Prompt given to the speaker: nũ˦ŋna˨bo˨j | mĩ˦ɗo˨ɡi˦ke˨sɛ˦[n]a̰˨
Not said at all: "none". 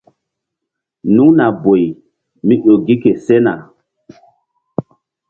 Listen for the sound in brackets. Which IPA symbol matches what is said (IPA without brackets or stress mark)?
n